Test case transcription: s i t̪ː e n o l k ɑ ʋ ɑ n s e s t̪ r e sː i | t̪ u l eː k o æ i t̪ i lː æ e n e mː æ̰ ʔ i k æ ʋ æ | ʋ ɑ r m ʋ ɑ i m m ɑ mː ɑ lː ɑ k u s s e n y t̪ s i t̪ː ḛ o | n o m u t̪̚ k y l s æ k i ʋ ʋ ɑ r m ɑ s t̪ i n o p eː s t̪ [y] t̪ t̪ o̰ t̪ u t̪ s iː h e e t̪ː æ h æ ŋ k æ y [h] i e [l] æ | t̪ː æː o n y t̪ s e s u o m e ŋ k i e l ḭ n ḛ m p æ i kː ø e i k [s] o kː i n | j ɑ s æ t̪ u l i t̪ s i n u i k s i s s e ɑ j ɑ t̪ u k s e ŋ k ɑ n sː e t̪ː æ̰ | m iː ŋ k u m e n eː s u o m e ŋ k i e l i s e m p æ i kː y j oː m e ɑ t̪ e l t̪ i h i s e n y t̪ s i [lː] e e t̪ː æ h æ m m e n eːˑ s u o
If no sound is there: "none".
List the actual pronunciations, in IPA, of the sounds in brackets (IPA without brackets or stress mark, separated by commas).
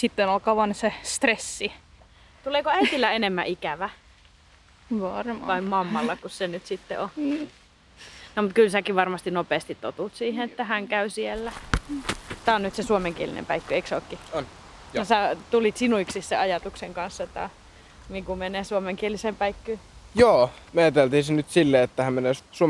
i, s, lː, s, lː